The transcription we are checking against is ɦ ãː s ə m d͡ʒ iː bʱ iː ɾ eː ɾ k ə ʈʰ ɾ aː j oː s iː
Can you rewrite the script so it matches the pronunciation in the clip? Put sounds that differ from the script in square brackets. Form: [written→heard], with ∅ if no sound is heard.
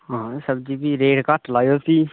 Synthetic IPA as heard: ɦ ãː s ə [m→b] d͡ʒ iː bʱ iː ɾ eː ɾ k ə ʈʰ [ɾ→l] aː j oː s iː